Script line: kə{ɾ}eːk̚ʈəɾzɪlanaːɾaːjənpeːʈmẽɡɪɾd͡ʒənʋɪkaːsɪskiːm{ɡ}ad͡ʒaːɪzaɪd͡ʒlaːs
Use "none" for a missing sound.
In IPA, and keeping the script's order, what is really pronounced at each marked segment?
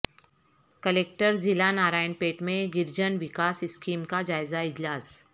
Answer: l, k

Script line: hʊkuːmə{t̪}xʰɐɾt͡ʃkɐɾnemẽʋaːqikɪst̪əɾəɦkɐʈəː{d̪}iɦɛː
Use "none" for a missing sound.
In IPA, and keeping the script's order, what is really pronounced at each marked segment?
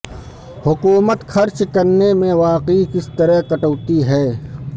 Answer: t̪, t̪

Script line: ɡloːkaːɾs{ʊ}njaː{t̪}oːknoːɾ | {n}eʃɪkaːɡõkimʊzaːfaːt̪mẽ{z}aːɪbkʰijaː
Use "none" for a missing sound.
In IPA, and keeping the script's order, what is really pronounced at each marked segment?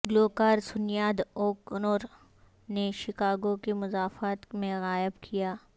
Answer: ʊ, d̪, n, ɣ

